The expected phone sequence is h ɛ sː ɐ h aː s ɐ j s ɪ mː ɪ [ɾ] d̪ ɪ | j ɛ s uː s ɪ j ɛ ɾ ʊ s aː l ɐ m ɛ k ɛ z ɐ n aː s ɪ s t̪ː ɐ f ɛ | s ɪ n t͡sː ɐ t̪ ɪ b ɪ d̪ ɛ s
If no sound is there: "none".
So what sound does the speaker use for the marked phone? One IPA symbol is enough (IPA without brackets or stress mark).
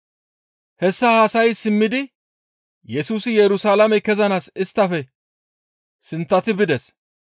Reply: none